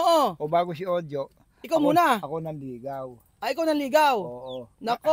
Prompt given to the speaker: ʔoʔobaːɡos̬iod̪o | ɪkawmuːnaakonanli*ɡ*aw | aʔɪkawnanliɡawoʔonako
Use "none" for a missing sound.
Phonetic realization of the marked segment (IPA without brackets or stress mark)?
ɡ